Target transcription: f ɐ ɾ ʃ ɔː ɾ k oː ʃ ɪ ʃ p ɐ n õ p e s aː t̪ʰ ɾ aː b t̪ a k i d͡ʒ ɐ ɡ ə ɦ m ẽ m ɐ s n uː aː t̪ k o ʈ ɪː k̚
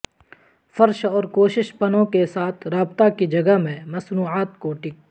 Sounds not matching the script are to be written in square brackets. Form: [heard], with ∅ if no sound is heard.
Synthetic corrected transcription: f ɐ ɾ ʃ ɔː ɾ k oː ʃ ɪ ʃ p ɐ n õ [k] e s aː t̪ʰ ɾ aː b t̪ a k i d͡ʒ ɐ ɡ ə ɦ m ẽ m ɐ s n uː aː t̪ k o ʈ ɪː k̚